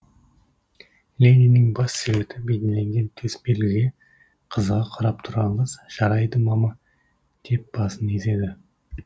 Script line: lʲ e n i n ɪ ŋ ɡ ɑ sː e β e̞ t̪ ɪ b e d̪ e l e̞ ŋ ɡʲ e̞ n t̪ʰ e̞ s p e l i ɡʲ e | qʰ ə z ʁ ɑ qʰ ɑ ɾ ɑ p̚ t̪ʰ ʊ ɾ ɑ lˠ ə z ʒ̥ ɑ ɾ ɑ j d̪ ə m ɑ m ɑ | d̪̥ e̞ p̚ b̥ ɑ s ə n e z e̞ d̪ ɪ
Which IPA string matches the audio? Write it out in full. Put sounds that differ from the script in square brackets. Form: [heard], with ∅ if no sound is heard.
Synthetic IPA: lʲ e n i n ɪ ŋ [b] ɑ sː e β e̞ t̪ ɪ b e d̪ e l e̞ ŋ ɡʲ e̞ n t̪ʰ e̞ s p e l [ɪ] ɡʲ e | qʰ ə z ʁ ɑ qʰ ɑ ɾ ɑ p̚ t̪ʰ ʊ ɾ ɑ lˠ ə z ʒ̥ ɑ ɾ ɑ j d̪ ə m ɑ m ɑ | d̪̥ e̞ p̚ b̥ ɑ s ə n e z e̞ d̪ ɪ